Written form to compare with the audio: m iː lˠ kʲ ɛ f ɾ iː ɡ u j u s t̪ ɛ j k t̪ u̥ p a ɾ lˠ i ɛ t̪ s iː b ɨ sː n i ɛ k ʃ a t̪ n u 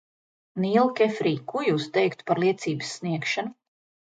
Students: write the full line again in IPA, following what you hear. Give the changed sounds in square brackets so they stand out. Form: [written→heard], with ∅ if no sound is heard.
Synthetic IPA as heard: [m→n] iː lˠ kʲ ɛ f ɾ iː [ɡ→k] u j u s t̪ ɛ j k t̪ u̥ p a ɾ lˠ i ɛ t̪ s iː b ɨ sː n i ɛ k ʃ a [t̪→∅] n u